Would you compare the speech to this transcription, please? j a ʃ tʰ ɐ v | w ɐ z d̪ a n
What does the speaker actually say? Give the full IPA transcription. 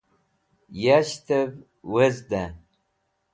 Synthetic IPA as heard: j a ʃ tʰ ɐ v | w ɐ z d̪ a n